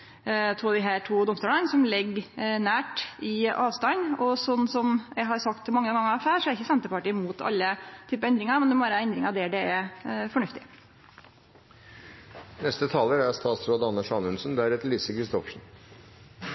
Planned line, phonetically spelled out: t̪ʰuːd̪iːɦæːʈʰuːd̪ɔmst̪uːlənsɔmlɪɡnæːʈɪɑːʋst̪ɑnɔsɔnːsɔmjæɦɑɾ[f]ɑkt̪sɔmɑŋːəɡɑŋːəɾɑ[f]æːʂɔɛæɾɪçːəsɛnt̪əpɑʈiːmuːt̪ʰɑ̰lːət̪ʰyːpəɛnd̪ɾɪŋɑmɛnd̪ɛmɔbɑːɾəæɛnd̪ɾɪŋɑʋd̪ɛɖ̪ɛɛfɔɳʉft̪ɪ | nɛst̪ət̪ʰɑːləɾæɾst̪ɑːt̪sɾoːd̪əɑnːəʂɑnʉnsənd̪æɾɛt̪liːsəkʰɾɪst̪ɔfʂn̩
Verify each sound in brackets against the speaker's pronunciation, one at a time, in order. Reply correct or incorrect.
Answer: incorrect: s, correct

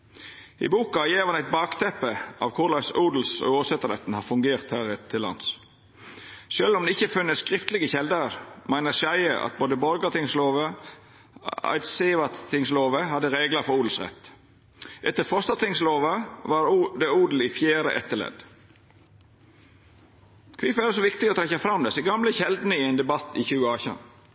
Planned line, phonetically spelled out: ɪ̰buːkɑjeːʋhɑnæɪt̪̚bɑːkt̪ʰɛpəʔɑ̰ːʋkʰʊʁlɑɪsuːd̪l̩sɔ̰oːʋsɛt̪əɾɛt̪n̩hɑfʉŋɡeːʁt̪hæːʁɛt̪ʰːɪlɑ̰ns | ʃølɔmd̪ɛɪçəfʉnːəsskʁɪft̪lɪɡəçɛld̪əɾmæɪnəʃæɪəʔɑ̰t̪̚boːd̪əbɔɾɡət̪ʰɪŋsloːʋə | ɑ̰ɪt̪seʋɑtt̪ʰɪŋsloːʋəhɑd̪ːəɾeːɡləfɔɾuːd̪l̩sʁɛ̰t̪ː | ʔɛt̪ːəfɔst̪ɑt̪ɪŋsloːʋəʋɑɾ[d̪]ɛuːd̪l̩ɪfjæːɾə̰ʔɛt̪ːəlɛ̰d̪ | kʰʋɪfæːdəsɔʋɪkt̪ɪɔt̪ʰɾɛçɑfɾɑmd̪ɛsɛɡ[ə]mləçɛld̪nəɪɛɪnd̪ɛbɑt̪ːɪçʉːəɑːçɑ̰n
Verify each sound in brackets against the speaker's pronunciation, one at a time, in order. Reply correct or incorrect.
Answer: correct, incorrect: ɑ

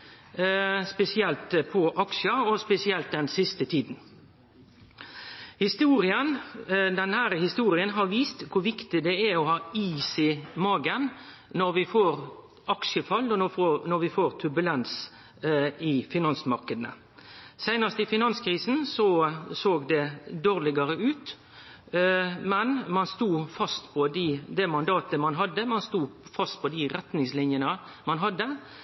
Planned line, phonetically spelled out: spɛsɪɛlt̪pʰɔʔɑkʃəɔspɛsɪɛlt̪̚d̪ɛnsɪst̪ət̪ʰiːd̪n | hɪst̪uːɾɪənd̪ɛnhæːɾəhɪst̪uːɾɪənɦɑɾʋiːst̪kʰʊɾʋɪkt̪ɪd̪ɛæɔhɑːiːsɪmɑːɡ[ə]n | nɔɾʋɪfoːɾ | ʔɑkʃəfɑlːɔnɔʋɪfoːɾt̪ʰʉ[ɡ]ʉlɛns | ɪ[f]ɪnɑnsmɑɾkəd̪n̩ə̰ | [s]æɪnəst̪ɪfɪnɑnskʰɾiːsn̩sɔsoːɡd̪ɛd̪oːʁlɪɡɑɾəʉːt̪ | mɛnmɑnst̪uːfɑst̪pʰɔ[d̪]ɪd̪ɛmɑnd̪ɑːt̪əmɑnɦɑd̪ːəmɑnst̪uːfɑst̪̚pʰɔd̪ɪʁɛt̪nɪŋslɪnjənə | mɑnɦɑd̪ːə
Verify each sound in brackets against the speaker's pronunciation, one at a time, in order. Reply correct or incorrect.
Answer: correct, incorrect: b, correct, correct, correct

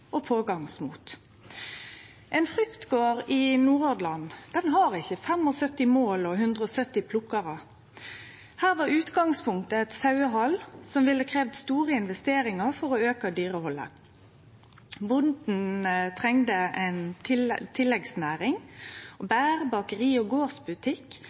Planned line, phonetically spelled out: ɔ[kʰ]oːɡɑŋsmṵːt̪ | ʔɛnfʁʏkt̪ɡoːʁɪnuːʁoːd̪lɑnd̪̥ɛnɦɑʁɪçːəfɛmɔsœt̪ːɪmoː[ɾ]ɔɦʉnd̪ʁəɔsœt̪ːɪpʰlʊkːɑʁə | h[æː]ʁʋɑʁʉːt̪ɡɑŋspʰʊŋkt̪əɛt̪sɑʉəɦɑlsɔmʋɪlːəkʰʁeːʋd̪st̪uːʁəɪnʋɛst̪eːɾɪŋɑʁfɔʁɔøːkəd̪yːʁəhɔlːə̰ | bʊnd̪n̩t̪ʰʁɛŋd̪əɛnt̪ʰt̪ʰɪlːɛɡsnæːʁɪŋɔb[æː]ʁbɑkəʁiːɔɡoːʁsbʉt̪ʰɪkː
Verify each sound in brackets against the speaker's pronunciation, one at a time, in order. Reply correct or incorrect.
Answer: incorrect: pʰ, incorrect: l, correct, correct

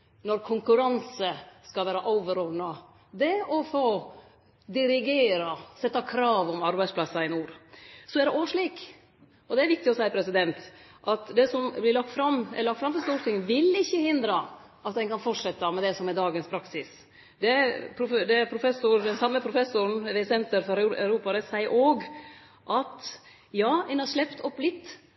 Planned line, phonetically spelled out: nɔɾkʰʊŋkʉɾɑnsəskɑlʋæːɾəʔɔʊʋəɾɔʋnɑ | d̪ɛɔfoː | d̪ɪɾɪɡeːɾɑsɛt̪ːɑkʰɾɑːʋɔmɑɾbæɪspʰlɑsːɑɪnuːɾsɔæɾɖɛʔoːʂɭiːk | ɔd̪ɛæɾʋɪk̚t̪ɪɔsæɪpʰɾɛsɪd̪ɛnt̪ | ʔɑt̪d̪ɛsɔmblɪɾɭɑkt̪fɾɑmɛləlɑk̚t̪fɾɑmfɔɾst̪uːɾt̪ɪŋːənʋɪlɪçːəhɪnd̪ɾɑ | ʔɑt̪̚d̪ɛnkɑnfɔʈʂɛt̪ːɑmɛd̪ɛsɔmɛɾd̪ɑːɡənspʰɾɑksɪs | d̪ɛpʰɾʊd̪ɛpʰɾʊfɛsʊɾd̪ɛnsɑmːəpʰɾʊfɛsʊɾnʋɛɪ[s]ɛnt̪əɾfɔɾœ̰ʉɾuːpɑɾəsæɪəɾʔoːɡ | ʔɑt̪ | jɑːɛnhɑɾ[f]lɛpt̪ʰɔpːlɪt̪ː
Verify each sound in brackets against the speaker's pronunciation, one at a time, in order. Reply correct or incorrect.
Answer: correct, incorrect: ʂ

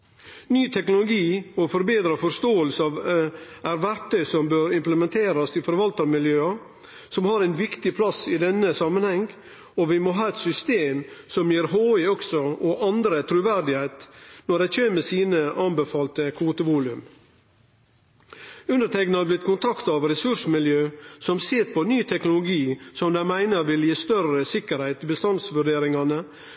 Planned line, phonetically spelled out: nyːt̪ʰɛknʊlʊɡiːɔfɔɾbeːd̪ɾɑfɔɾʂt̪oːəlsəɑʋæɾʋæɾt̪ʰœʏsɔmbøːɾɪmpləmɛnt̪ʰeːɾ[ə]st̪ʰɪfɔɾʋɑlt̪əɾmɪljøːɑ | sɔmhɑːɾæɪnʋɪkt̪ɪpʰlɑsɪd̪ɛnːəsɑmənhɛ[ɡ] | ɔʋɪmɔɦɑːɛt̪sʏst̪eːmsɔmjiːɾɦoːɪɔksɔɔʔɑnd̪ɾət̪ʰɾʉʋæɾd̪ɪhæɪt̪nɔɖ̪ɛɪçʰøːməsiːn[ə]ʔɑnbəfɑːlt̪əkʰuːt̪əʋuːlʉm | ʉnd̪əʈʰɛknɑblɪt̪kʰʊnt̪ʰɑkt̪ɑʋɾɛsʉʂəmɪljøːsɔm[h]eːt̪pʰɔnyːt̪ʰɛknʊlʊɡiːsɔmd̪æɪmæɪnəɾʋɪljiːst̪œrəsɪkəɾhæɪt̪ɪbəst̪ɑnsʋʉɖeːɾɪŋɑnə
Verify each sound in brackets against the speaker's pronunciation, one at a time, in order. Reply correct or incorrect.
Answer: incorrect: ɑ, incorrect: ŋ, correct, incorrect: s

